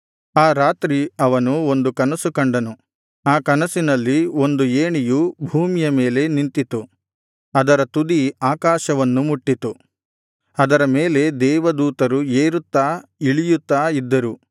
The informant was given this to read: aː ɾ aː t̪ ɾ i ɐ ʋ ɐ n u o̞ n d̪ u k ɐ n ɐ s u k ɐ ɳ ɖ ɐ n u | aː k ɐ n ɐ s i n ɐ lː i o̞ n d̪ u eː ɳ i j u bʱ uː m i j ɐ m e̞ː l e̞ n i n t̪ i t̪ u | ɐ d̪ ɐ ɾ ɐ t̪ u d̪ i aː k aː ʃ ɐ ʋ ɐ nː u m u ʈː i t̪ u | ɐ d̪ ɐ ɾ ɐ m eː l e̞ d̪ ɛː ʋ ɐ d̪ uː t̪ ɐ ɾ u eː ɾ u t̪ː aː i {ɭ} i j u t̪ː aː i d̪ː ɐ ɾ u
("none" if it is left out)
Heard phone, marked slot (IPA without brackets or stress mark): ɭ